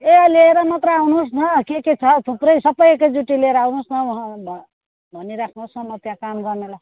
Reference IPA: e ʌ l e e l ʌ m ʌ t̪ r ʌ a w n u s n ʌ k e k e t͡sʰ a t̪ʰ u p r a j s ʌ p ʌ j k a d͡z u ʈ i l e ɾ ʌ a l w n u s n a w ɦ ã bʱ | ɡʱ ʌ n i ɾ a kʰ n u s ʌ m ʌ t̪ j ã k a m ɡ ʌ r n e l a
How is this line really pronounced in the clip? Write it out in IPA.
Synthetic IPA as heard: e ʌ l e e ɾ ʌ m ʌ t̪ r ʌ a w n u s n ʌ k e k e t͡sʰ ʌ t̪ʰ u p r ʌ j s ʌ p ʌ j k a d͡z u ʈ i l e ɾ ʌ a w n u s n ʌ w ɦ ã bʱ | bʱ ʌ n i ɾ a kʰ n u s ʌ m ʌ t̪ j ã k a m ɡ ʌ r n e l a